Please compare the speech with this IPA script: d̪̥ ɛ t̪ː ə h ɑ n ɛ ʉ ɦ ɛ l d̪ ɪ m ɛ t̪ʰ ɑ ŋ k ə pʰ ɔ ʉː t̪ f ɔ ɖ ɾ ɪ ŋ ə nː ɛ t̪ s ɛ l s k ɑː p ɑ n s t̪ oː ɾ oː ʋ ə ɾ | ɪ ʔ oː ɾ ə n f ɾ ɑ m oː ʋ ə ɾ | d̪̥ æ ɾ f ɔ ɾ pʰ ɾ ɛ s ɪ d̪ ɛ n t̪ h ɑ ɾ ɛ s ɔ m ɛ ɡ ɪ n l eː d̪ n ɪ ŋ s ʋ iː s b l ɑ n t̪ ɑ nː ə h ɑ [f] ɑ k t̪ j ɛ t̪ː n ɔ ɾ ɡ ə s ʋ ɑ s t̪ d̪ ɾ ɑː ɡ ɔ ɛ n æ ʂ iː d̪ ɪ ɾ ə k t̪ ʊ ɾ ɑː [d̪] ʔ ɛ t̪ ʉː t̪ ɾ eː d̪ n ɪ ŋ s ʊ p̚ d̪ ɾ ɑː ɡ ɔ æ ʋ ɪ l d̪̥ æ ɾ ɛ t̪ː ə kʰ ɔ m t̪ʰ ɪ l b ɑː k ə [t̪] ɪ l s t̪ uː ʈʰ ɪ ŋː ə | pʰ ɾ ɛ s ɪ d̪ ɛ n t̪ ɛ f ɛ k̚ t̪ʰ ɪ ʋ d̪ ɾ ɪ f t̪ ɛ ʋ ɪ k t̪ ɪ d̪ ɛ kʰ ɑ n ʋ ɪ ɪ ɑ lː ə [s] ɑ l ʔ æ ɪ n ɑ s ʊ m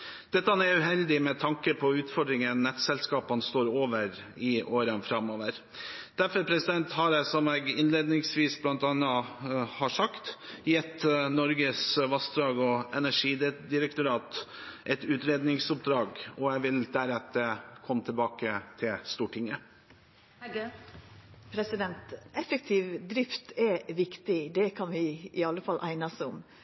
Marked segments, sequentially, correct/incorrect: incorrect: ʂ, incorrect: t̪, incorrect: t̪ʰ, incorrect: f

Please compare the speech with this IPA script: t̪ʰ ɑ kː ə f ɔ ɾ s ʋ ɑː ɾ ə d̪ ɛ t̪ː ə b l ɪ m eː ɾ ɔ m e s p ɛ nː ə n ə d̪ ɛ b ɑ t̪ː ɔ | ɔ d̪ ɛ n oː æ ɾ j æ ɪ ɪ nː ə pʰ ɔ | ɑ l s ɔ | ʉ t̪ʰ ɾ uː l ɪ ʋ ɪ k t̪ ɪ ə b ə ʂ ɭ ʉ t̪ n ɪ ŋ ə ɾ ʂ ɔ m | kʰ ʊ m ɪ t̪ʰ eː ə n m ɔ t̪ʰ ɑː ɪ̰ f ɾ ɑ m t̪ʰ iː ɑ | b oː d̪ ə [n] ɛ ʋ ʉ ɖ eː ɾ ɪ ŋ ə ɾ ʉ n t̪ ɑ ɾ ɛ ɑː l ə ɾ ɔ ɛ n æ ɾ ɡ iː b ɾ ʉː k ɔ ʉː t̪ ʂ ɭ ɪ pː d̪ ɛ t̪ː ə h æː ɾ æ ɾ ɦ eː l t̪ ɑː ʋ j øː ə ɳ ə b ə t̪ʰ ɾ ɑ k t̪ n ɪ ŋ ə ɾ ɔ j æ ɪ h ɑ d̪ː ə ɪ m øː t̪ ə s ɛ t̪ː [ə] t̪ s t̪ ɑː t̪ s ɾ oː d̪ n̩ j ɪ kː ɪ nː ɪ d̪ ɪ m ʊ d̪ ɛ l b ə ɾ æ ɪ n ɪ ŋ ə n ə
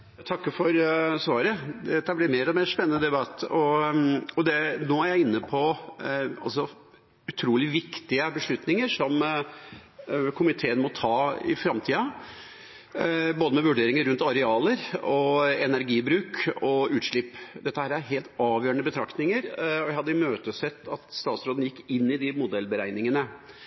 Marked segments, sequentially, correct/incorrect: incorrect: m, incorrect: ɑ

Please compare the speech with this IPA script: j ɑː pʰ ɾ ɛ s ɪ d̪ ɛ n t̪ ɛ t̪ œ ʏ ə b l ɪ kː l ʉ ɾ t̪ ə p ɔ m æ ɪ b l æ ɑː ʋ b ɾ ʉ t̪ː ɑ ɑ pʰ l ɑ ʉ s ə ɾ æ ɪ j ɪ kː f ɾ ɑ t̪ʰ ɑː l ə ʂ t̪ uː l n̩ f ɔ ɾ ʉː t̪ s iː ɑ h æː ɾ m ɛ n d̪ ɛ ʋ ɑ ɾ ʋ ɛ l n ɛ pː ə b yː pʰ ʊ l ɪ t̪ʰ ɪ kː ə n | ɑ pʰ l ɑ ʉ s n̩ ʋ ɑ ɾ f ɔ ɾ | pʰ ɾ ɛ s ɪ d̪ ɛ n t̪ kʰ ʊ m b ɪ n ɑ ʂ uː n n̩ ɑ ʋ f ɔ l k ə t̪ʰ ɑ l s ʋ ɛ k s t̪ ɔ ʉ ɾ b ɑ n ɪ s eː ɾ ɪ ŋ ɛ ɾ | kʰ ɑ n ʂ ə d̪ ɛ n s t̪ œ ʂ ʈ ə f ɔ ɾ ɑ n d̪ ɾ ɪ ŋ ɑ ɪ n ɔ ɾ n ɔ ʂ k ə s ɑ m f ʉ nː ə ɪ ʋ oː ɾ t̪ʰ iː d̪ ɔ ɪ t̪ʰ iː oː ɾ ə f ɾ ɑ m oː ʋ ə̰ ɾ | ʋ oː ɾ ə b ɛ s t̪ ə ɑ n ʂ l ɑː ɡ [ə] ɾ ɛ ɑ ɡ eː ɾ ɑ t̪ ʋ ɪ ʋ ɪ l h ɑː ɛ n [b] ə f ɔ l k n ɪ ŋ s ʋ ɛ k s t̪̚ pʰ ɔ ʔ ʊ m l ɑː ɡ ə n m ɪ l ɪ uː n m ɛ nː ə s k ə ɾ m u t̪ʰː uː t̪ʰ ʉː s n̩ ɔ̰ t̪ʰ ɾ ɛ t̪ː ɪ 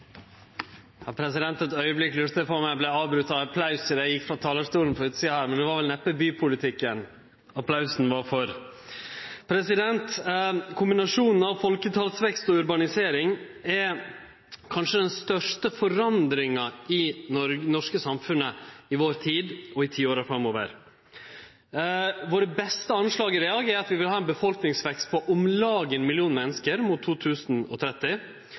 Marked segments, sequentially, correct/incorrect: correct, correct

